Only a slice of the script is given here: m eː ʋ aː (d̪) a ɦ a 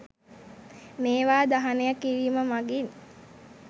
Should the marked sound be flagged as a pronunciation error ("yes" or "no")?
no